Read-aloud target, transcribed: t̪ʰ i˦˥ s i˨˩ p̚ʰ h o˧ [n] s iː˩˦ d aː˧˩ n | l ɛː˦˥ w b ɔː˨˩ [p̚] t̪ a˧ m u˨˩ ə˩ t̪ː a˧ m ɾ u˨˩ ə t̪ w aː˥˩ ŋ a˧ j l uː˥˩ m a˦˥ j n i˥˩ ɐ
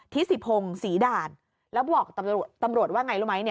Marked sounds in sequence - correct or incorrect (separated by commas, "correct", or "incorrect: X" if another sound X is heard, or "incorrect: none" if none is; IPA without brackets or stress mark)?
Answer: incorrect: ŋ, incorrect: k̚